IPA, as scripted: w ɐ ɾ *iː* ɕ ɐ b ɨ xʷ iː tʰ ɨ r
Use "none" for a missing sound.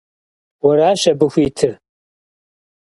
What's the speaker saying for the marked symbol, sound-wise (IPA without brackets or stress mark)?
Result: aː